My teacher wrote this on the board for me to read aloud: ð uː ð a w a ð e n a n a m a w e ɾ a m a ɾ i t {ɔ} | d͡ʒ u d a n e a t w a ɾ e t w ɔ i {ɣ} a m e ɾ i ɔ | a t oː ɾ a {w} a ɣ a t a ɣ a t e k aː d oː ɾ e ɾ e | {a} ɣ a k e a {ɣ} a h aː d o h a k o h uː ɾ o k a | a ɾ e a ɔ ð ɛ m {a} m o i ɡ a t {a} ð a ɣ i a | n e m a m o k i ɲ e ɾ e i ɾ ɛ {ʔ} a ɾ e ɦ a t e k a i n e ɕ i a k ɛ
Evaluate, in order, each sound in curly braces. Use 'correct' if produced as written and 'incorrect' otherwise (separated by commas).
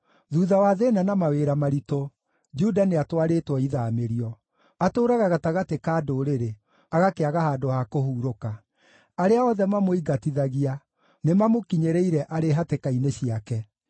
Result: incorrect, incorrect, incorrect, correct, correct, correct, incorrect, correct